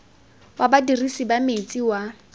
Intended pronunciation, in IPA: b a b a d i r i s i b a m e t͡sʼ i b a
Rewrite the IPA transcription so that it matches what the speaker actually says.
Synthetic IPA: w a b a d i r i s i b a m e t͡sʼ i w a